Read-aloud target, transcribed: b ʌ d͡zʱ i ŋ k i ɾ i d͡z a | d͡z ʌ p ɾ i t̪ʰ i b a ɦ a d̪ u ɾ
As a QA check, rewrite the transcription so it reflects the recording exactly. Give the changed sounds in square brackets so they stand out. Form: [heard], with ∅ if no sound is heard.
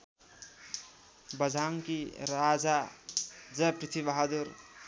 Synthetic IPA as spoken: b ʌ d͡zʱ [a] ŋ k i ɾ [a] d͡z a | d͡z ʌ p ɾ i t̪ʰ i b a ɦ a d̪ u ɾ